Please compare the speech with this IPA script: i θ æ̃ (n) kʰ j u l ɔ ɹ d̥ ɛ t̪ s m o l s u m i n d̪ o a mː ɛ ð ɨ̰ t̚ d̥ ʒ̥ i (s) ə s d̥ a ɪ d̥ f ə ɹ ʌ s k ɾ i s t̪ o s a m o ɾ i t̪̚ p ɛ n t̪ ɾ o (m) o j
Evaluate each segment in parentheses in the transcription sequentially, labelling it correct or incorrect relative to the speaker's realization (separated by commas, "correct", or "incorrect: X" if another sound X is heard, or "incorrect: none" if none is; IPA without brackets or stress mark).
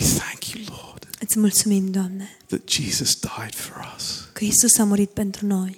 incorrect: ŋ, incorrect: z, incorrect: n